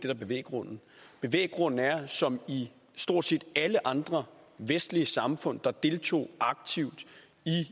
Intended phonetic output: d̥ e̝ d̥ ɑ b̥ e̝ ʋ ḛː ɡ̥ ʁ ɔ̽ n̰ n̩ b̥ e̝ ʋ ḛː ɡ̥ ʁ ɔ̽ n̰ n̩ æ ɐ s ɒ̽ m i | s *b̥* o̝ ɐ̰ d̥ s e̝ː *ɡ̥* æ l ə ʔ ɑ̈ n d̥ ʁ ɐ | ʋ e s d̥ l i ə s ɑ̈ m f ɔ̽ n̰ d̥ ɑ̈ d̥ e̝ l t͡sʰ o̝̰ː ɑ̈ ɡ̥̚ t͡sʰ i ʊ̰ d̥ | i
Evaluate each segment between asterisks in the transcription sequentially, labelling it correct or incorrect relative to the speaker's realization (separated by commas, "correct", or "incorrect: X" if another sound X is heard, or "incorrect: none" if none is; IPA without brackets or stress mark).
incorrect: d̥, incorrect: d̥